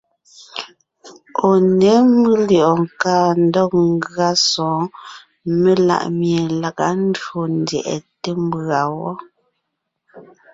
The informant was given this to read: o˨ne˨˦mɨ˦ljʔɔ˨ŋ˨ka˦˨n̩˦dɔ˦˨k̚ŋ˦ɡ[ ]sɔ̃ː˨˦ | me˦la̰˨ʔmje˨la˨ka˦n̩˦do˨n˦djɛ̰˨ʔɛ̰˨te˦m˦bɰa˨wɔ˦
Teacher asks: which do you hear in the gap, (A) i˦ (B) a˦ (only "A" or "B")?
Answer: B